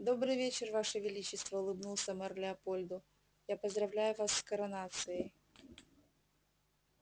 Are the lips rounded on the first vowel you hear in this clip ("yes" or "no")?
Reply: yes